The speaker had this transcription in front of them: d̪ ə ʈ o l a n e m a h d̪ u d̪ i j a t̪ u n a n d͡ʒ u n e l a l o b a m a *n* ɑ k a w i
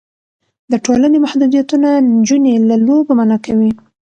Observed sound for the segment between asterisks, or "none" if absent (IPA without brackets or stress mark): n